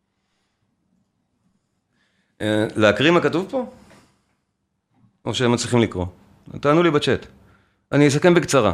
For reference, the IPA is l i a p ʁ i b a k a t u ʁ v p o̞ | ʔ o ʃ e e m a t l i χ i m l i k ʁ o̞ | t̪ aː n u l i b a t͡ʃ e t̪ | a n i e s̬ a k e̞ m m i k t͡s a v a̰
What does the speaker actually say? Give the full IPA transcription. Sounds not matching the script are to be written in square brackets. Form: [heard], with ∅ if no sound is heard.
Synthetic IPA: l [e] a [k] ʁ i [m] a k a t u [∅] v p o̞ | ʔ o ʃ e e m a [t͡s] l i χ i m l i k ʁ o̞ | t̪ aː n u l i b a t͡ʃ e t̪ | a n i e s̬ a k e̞ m [b] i k t͡s a [ʁ] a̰